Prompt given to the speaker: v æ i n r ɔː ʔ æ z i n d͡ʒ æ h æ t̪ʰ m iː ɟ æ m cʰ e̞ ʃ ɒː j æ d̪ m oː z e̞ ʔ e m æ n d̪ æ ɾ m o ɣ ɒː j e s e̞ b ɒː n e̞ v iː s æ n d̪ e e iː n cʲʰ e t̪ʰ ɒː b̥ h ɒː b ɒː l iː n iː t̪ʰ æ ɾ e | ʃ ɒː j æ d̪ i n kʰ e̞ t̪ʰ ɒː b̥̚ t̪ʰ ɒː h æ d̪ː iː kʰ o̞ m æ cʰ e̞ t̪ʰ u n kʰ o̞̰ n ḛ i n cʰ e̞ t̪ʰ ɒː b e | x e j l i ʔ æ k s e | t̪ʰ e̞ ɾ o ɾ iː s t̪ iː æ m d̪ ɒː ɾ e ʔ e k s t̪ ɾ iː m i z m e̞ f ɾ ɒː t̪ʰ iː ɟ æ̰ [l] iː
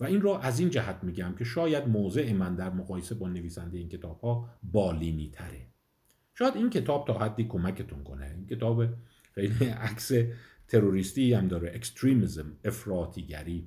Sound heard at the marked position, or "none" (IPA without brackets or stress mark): ɾ